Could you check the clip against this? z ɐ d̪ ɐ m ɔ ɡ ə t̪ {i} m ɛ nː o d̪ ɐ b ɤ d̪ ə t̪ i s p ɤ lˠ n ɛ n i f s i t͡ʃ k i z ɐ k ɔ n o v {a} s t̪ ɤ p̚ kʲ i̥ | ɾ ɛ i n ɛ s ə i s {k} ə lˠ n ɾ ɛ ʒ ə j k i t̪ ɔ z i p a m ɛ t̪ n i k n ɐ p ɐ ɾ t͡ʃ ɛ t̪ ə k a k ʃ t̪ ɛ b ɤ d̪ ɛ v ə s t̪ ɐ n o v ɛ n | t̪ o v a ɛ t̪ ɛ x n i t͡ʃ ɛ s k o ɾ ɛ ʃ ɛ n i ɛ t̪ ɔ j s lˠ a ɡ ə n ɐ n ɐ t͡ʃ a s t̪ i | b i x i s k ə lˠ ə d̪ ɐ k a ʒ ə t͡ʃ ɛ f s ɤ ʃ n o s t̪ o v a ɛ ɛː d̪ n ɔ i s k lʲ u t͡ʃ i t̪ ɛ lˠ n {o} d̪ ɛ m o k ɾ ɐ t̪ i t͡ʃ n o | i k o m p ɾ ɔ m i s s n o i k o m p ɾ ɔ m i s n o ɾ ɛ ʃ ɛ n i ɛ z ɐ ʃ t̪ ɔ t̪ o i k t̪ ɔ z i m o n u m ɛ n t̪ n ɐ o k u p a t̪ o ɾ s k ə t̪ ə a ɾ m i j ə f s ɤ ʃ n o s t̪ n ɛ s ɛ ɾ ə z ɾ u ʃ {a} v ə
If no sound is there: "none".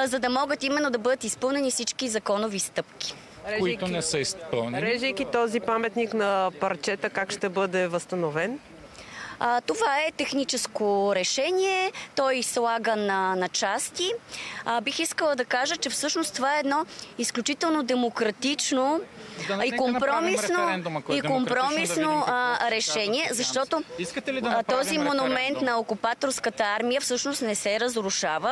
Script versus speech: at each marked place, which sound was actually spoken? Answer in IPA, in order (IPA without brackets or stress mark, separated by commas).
i, i, p, o, a